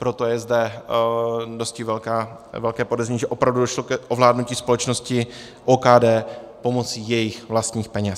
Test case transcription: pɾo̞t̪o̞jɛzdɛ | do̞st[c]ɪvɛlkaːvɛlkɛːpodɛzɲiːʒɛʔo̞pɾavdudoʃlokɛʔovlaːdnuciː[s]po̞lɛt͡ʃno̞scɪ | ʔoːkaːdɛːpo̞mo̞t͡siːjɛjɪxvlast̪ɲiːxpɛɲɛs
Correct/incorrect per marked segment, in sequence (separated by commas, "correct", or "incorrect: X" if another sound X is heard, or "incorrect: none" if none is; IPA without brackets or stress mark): correct, correct